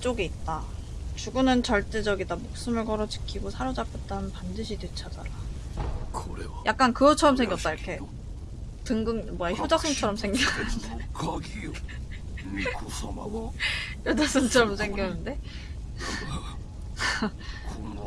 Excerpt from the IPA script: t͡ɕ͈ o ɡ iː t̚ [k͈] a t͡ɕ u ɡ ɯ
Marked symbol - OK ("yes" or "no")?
no